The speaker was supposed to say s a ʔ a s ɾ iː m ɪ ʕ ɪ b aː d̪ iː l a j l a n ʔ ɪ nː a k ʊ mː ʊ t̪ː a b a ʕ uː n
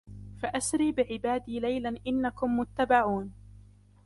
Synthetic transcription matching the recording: f a ʔ a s ɾ iː b ɪ ʕ ɪ b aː d̪ iː l a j l a n ʔ ɪ nː a k ʊ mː ʊ t̪ː a b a ʕ uː n